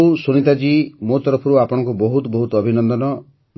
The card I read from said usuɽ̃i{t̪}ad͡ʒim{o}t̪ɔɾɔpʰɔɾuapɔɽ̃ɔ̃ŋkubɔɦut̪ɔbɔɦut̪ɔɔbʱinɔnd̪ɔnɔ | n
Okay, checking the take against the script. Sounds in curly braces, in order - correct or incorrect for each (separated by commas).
correct, correct